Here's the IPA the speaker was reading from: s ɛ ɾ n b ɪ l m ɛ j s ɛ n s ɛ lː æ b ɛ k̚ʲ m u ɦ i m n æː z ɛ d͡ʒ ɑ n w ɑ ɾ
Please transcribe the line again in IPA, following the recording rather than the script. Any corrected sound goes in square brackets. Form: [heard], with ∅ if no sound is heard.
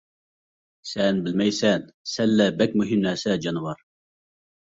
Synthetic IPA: s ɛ [∅] n b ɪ l m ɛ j s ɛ n s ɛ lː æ b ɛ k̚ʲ m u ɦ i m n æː [s] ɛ d͡ʒ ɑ n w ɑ ɾ